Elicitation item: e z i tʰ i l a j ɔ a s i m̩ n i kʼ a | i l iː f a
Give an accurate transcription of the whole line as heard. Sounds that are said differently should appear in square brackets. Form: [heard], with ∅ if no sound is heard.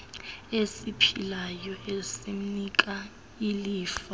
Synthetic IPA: e [s] i [pʰ] i l a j ɔ [e] s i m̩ n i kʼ a | i l iː f a